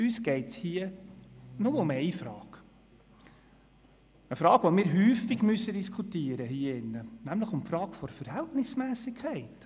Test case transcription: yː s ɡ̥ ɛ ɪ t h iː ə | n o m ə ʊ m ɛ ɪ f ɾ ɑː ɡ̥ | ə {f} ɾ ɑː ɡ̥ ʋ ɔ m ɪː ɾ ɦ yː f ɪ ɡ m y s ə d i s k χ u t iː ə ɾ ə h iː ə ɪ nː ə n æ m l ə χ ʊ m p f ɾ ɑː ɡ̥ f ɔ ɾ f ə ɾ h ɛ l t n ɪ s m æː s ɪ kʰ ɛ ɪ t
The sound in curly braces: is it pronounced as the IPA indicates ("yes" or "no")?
yes